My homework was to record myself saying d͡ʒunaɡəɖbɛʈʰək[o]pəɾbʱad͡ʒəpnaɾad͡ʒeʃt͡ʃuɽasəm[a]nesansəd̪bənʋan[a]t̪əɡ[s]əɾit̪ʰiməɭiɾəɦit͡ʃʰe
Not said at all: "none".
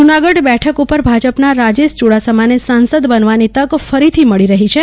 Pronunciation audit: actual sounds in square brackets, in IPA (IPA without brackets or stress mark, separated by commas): u, a, i, f